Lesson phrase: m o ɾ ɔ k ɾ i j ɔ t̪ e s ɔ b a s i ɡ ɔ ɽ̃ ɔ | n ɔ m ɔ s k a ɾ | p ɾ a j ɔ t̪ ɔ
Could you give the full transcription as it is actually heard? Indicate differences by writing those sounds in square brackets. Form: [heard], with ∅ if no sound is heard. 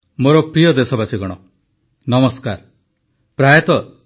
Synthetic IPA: m o ɾ ɔ [p] ɾ i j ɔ [d̪] e s ɔ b a s i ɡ ɔ ɽ̃ ɔ | n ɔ m ɔ s k a ɾ | p ɾ a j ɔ t̪ ɔ